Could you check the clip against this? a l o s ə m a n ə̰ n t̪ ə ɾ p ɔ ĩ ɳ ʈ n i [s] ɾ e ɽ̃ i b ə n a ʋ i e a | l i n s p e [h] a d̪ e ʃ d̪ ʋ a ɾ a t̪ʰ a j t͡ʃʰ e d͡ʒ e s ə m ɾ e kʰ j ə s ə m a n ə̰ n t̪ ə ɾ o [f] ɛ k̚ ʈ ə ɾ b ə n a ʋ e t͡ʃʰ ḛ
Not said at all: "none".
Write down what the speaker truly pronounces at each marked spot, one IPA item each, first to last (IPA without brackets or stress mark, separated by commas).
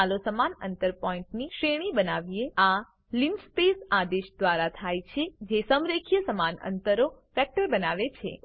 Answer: ʃ, s, f